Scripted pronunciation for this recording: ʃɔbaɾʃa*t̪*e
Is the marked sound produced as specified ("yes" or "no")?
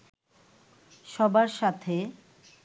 no